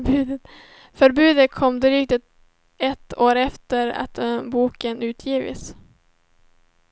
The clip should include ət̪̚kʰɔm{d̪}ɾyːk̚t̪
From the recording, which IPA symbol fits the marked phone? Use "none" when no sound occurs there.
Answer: d̪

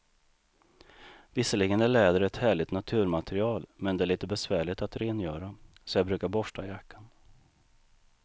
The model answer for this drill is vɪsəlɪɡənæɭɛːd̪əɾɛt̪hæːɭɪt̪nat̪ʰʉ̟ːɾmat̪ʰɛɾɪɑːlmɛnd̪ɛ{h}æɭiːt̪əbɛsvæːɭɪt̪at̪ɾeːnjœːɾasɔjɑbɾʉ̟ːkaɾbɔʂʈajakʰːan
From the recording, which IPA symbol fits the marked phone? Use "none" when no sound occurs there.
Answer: none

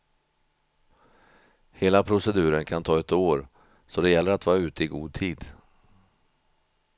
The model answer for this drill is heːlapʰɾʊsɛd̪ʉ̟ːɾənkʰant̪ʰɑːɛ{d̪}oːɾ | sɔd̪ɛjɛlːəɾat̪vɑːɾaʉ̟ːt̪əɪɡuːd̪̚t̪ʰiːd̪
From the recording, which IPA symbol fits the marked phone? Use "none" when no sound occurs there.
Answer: t̪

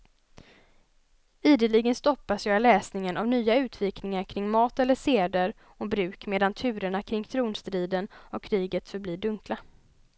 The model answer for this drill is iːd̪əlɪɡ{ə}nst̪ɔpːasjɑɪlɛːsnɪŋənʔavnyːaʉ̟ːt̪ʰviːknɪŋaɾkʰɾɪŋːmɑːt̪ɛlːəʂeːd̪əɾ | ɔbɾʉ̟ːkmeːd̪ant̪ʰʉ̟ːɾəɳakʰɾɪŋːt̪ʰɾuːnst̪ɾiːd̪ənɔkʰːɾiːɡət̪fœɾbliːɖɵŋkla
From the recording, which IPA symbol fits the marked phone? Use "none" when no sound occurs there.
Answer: ə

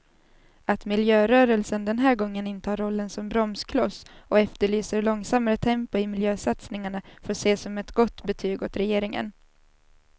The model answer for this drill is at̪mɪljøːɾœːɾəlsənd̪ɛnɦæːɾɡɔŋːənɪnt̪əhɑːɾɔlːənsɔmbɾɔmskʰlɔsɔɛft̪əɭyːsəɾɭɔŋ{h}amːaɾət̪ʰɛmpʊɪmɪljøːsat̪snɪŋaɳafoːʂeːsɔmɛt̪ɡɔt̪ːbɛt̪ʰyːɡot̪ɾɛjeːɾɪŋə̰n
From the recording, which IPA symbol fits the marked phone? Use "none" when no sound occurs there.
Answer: s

